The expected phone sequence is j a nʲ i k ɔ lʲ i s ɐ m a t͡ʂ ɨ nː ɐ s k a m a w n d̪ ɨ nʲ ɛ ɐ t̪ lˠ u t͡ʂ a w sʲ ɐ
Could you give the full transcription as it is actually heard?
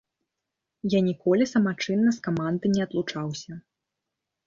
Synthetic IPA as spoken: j a nʲ i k ɔ lʲ i s ɐ m a t͡ʂ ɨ nː ɐ s k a m a n d̪ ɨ nʲ ɛ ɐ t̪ lˠ u t͡ʂ a w sʲ ɐ